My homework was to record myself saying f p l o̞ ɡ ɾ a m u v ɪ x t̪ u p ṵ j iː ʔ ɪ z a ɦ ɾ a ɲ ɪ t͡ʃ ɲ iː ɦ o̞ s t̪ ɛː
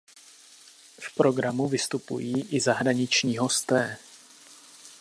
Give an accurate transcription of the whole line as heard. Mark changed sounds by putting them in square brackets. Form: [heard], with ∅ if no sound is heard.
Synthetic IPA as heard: f p [ɾ] o̞ ɡ ɾ a m u v ɪ [s] t̪ u p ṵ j iː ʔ ɪ z a ɦ ɾ a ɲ ɪ t͡ʃ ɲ iː ɦ o̞ s t̪ ɛː